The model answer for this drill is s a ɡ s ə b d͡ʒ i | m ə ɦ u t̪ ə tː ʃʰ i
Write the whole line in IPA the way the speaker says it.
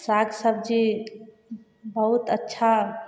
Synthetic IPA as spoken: s a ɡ s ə b d͡ʒ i | b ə ɦ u t̪ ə tː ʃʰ a